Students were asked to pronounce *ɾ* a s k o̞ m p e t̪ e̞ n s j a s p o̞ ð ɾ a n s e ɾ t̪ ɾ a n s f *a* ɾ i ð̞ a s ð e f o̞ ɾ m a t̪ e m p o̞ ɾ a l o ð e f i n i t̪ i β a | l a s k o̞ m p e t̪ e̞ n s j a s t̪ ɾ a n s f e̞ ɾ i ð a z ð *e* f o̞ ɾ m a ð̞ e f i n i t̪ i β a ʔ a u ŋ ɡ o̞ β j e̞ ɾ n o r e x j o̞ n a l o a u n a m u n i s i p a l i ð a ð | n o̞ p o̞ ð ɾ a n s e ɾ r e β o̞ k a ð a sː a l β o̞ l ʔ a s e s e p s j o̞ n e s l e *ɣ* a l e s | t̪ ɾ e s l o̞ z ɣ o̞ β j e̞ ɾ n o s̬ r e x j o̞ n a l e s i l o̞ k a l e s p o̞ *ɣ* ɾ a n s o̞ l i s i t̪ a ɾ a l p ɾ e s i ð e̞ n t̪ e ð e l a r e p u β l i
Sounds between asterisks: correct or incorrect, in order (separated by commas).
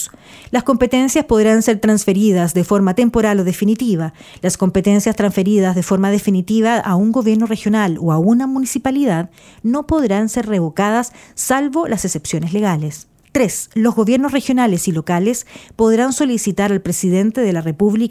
incorrect, incorrect, correct, correct, incorrect